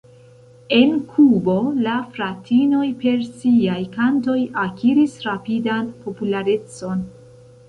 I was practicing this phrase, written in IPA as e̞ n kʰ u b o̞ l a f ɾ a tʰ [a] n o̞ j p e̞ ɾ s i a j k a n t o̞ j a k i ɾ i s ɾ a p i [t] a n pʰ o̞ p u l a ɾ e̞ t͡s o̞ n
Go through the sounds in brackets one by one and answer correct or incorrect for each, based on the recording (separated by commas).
incorrect, incorrect